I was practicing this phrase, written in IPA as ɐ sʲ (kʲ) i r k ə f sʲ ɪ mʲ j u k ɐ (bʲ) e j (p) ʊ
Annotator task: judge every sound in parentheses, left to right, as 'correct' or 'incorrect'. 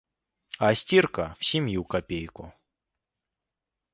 incorrect: tʲ, incorrect: pʲ, incorrect: k

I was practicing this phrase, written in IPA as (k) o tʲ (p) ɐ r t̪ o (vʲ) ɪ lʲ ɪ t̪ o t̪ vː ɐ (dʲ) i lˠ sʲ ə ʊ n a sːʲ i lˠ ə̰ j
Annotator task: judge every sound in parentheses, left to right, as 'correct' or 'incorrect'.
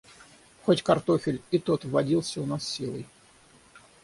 incorrect: x, incorrect: k, incorrect: fʲ, correct

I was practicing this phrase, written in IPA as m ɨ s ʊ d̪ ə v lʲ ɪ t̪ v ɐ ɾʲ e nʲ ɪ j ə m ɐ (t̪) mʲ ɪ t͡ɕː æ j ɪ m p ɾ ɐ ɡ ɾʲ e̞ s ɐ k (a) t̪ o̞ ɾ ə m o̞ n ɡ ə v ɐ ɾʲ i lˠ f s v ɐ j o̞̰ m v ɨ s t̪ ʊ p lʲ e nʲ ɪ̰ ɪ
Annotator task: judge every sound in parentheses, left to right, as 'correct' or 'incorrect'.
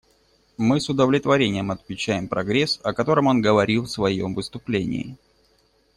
correct, incorrect: ɐ

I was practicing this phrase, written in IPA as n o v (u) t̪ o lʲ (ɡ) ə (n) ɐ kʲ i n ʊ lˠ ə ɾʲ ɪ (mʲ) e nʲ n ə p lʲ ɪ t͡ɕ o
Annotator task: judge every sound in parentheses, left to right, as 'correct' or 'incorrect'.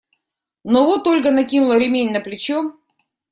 incorrect: o, correct, correct, correct

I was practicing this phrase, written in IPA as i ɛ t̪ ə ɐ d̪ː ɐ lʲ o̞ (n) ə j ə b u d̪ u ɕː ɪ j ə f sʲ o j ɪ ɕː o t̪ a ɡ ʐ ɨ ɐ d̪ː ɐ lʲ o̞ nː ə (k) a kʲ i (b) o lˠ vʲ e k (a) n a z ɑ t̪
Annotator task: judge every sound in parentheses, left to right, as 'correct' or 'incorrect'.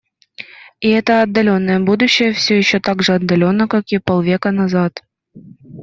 incorrect: nː, correct, incorrect: p, incorrect: ə

